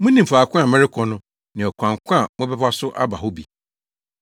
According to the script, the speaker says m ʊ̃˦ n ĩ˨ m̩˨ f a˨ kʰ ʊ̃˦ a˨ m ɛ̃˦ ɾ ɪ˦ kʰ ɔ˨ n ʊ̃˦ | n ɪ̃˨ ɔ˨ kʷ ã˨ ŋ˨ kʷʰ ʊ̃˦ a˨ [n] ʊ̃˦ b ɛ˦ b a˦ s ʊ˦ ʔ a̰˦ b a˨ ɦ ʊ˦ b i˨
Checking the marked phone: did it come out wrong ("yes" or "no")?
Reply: yes